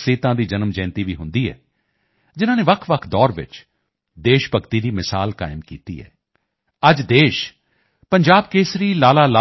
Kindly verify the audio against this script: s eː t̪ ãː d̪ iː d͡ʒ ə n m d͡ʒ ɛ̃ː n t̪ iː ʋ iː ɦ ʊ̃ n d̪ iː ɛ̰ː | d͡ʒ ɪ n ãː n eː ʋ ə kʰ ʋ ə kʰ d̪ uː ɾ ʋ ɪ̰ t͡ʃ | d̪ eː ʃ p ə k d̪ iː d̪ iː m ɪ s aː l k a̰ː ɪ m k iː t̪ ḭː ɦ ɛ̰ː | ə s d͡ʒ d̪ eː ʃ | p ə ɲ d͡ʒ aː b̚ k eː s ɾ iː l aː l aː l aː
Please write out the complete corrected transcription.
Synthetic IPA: s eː t̪ ãː d̪ iː d͡ʒ ə n m d͡ʒ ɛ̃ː n t̪ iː ʋ iː ɦ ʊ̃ n d̪ iː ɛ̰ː | d͡ʒ ɪ n ãː n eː ʋ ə kʰ ʋ ə kʰ d̪ ɔː ɾ ʋ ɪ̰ t͡ʃ | d̪ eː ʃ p ə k t̪ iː d̪ iː m ɪ s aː l k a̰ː ɪ m k iː t̪ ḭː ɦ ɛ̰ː | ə d͡ʒ d̪ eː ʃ | p ə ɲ d͡ʒ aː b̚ k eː s ɾ iː l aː l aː l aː